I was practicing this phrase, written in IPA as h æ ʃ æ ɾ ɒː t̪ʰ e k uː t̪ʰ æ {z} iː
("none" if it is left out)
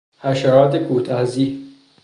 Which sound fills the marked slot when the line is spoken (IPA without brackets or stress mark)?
z